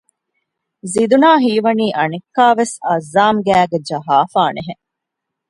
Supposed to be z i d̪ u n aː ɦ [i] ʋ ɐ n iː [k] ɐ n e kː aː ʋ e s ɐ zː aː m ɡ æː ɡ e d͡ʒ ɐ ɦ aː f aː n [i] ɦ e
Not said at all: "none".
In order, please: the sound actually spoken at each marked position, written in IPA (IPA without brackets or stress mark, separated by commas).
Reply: iː, ʔ, e